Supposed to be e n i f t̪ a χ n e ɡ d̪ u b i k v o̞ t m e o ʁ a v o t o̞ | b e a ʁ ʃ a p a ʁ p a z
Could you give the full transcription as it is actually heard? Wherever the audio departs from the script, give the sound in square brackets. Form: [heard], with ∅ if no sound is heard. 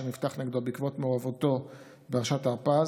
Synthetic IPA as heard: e n i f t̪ a χ n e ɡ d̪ [o] b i k v o̞ t m e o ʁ a v o t o̞ | b e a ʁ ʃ a [t] a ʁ p a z